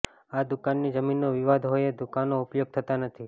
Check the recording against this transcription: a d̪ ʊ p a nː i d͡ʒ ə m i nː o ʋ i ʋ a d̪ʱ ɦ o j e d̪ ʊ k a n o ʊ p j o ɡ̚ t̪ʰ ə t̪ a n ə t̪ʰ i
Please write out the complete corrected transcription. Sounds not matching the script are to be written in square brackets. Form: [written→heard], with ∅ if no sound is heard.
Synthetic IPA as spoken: a d̪ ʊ [p→k] a nː i d͡ʒ ə m i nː o ʋ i ʋ a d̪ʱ ɦ o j e d̪ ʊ k a n o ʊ p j o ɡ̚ t̪ʰ ə t̪ a n ə t̪ʰ i

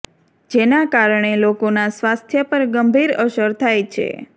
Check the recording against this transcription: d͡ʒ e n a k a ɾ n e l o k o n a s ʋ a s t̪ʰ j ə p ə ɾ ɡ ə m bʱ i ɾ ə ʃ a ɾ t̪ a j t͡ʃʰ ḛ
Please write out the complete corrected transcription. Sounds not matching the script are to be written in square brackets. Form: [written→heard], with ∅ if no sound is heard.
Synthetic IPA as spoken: d͡ʒ e n a k a ɾ [n→ɳ] e l o k o n a s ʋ a s t̪ʰ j ə p ə ɾ ɡ ə m bʱ i ɾ ə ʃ [a→ə] ɾ [t̪→t̪ʰ] a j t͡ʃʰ ḛ

